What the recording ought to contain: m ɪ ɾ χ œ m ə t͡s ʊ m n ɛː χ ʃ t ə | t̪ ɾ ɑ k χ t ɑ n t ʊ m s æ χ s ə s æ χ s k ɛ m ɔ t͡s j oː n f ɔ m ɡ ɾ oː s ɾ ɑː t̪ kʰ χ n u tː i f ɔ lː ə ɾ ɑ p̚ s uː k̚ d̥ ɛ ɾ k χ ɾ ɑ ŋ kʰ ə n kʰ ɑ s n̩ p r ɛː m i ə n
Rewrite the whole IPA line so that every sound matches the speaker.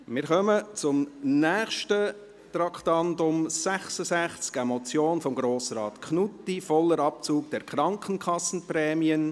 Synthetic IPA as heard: m ɪ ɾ χ œ m ə t͡s ʊ m n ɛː χ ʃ t ə | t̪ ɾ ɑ k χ t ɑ n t ʊ m s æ χ s ə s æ χ t͡s k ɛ m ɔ t͡s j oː n f ɔ m ɡ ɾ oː s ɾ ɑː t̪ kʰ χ n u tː i f ɔ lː ə ɾ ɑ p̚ t͡s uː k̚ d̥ ɛ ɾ k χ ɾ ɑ ŋ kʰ ə n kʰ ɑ s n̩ p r ɛː m i ə n